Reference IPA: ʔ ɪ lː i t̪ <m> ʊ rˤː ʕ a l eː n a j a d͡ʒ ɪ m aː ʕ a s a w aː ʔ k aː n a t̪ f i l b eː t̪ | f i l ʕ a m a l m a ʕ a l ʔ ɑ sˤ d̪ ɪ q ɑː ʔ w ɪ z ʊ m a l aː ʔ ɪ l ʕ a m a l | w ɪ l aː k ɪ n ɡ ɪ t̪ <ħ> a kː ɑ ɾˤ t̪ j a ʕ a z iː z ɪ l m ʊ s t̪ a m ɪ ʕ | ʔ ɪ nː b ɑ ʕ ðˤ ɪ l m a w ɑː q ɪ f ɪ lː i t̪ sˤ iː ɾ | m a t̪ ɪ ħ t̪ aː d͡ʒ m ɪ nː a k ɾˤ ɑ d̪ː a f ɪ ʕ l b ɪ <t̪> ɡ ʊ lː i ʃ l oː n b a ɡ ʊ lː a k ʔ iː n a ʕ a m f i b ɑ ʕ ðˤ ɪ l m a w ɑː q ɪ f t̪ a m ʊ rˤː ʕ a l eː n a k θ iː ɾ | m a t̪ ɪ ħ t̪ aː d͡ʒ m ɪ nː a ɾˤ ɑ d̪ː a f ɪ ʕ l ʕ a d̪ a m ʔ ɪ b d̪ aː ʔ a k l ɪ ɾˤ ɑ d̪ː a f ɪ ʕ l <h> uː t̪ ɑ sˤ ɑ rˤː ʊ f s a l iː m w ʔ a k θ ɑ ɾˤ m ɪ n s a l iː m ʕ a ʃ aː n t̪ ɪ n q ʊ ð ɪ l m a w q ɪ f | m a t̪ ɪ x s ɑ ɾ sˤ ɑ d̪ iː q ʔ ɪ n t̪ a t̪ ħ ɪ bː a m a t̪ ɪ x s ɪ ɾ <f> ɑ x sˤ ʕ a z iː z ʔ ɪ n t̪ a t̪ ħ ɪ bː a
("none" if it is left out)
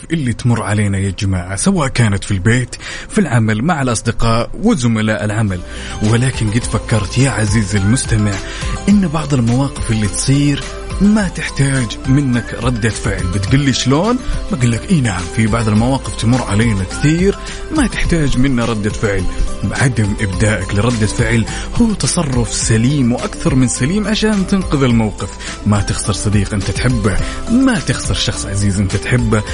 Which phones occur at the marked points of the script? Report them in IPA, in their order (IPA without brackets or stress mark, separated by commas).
m, f, t̪, h, ʃ